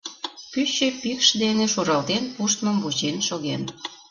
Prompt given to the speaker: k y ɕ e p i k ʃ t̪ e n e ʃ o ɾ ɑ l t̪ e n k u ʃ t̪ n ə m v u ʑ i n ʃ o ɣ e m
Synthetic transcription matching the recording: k y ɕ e p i k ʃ d̪ e n e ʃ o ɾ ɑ l t̪ e n p u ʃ t̪ m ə m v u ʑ e n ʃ o ɣ e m

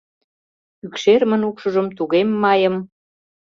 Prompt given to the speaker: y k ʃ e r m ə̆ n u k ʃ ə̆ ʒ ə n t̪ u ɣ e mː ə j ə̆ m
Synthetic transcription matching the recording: y k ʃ e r m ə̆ n u k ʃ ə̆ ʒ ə m t̪ u ɣ e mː ɑ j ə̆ m

